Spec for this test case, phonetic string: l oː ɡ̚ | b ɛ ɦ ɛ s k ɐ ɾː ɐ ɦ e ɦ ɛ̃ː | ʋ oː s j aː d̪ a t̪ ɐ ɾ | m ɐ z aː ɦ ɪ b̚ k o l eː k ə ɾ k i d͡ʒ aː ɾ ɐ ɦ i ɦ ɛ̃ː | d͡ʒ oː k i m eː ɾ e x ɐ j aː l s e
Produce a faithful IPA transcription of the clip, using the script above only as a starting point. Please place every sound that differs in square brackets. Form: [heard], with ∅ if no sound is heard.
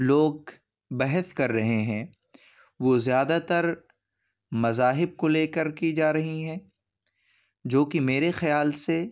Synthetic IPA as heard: l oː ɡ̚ | b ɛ ɦ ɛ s k ɐ ɾː ɐ ɦ e ɦ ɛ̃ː | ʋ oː [z] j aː d̪ a t̪ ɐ ɾ | m ɐ z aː ɦ ɪ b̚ k o l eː k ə ɾ k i d͡ʒ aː ɾ ɐ ɦ i ɦ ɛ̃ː | d͡ʒ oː k i m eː ɾ e x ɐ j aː l s e